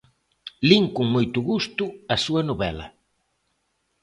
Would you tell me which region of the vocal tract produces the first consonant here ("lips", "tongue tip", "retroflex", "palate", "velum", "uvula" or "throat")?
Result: tongue tip